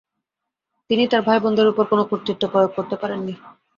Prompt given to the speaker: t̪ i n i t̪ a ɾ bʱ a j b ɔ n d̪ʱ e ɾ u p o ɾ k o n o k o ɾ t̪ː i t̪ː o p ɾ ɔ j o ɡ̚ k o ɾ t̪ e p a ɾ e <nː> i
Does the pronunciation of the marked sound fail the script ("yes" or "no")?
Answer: no